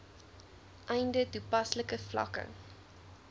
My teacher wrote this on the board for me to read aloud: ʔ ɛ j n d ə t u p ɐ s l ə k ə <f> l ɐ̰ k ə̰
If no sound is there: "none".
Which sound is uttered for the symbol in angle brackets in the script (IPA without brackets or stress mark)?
f